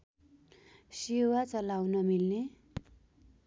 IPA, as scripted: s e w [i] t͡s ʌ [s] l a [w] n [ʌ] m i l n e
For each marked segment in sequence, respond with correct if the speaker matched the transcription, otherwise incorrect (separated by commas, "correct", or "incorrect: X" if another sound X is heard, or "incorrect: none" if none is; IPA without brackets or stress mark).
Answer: incorrect: a, incorrect: none, correct, correct